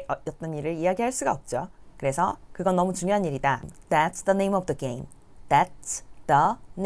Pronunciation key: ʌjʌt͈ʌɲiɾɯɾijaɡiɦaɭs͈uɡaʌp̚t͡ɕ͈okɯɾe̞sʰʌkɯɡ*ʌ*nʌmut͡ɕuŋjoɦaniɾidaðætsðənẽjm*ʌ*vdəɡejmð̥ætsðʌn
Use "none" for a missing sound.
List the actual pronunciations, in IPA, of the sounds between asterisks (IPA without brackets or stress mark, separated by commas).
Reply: ʌ, ʌ